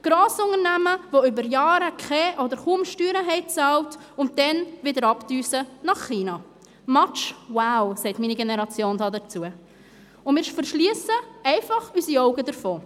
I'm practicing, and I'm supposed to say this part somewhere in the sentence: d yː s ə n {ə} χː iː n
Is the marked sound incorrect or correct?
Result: incorrect